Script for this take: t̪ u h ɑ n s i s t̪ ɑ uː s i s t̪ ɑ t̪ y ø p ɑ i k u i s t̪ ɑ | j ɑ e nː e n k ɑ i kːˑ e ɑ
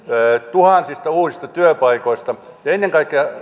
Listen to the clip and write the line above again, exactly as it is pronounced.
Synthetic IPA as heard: t̪ u h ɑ n s i s t̪ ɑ uː s i s t̪ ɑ t̪ y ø p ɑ i k o i s t̪ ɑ | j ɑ e nː e ŋ k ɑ i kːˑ e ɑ